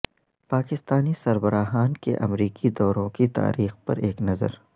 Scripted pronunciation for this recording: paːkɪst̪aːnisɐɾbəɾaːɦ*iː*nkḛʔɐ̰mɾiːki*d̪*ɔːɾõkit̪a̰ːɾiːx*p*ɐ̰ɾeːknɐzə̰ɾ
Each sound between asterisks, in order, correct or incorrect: incorrect: aː, correct, correct

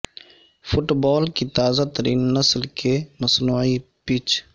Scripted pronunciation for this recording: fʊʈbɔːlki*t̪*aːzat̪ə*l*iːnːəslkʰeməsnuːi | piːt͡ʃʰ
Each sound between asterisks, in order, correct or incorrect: correct, incorrect: ɾ

